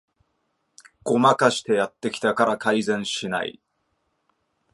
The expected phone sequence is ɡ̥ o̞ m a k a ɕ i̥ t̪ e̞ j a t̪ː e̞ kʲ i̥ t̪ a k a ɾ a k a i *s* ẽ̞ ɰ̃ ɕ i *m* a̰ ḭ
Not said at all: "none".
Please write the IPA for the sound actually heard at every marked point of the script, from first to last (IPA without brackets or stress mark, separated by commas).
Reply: z, n